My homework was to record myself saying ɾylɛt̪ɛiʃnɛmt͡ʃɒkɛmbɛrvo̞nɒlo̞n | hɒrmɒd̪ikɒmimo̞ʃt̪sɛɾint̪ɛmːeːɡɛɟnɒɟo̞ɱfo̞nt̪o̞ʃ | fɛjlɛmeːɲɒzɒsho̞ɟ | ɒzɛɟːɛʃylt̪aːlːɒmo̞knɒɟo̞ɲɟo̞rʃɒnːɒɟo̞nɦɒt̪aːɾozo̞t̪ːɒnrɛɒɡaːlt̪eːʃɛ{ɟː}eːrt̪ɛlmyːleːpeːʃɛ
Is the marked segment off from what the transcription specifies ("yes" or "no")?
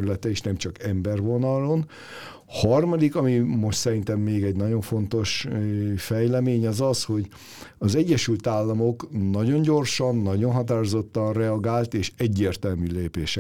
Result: no